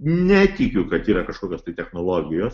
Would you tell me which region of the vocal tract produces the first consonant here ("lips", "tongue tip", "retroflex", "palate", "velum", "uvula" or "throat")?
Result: tongue tip